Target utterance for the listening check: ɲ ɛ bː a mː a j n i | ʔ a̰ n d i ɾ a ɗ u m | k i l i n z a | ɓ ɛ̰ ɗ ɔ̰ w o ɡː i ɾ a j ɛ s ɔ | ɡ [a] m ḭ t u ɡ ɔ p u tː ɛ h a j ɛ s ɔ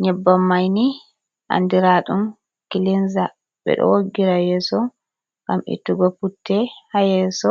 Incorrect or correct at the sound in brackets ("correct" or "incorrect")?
correct